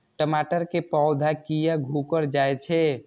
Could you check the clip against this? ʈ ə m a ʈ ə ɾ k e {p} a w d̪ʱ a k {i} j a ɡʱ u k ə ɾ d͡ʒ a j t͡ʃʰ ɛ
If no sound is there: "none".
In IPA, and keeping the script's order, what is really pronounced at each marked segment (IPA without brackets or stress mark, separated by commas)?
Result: p, i